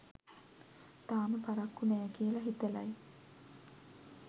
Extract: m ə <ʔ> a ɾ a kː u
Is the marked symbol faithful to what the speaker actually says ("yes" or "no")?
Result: no